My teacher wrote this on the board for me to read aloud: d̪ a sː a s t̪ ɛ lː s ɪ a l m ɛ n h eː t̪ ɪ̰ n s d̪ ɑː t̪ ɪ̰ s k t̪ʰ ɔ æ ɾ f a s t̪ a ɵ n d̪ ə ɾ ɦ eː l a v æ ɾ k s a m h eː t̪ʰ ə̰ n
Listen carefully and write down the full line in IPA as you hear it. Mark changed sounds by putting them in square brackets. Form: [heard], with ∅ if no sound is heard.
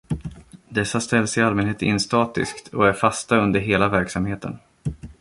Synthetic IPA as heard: d̪ [ɛ] sː a s t̪ ɛ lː s ɪ a l m ɛ n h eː t̪ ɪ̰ n s [t̪] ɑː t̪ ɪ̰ s k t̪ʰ ɔ æ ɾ f a s t̪ a ɵ n d̪ ə ɾ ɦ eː l a v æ ɾ k s a m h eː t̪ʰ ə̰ n